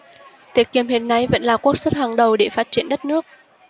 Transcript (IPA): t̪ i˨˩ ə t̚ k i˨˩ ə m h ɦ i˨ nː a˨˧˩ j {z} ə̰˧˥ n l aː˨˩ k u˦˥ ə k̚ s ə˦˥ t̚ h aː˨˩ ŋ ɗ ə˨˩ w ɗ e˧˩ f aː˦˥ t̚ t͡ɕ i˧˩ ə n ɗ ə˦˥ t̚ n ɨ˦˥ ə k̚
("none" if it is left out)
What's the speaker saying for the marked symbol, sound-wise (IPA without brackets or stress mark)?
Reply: v